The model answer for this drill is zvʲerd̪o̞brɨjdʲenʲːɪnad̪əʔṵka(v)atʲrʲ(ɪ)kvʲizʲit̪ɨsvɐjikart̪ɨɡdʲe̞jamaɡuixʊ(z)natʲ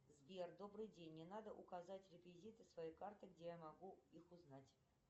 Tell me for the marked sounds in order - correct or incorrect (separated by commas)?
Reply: incorrect, correct, correct